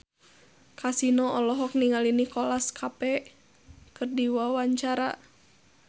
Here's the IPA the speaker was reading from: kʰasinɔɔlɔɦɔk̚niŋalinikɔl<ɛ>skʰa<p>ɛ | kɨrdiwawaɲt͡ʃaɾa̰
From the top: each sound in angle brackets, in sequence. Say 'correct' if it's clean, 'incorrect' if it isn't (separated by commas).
incorrect, correct